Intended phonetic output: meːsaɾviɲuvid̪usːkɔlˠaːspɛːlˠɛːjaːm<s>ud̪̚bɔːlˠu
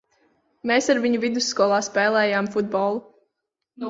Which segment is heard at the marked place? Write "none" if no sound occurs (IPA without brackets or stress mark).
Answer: f